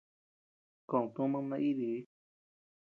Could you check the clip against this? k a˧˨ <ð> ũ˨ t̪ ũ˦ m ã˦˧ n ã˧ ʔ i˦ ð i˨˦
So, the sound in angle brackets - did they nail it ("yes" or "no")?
no